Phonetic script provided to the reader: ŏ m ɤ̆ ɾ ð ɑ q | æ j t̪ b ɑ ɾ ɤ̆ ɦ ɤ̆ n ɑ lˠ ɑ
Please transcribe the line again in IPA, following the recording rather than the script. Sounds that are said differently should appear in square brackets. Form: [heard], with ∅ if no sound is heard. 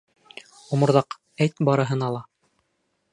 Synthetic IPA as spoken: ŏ m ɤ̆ ɾ ð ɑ q | æ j t̪ b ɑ ɾ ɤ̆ ɦ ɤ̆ n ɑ lˠ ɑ